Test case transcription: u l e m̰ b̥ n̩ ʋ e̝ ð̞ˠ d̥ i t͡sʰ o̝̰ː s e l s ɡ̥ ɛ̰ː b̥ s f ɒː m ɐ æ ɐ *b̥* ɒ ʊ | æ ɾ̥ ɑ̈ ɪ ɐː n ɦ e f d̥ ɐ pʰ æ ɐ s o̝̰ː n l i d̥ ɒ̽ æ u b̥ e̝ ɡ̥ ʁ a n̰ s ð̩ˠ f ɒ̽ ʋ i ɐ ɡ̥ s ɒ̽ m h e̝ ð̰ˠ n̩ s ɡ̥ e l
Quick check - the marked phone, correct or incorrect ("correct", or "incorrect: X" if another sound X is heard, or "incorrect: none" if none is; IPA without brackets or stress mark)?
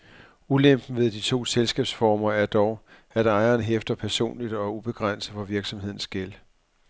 incorrect: d̥